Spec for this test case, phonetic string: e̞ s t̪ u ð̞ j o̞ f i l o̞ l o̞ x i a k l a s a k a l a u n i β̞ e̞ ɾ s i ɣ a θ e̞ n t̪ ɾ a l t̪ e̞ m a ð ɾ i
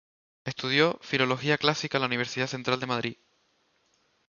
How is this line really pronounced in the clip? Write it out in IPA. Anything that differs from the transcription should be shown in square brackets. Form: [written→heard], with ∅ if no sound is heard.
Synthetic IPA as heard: e̞ s t̪ u ð̞ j o̞ f i l o̞ l o̞ x i a k l a s [a→i] k a l a u n i β̞ e̞ ɾ s i [ɣ→ð] a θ e̞ n t̪ ɾ a l [t̪→d̪] e̞ m a ð ɾ i